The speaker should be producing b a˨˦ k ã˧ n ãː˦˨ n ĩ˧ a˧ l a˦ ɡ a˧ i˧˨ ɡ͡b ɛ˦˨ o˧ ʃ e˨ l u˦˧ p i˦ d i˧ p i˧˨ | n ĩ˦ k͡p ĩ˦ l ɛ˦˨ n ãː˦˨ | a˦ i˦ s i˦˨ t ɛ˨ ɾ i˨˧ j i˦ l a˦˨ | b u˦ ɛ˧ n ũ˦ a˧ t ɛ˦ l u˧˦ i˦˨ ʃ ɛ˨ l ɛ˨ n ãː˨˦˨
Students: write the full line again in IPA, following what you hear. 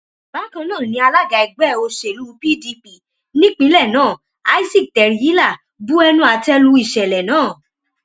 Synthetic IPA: b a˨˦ k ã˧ n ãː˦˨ n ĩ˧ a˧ l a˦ ɡ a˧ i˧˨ ɡ͡b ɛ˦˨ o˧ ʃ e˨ l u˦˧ p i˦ d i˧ p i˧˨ | n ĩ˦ k͡p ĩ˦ l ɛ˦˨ n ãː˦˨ | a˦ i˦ s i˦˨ t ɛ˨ ɾ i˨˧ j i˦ l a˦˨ | b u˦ ɛ˧ n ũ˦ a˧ t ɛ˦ l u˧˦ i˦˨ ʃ ɛ˨ l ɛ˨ n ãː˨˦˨